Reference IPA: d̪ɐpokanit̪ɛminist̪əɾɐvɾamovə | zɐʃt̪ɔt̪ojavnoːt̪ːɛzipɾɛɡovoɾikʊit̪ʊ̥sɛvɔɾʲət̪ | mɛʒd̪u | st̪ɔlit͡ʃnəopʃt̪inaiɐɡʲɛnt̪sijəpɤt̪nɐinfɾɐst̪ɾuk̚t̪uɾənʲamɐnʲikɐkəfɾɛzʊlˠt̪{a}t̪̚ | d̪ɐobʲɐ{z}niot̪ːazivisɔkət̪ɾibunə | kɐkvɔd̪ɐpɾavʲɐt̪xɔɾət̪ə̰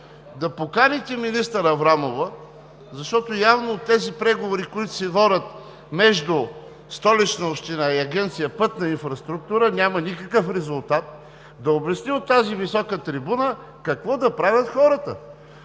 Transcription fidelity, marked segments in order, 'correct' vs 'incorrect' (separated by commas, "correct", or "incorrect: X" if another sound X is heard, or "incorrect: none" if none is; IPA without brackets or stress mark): correct, incorrect: s